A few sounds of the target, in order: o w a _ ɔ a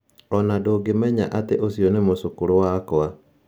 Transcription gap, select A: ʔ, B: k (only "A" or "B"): B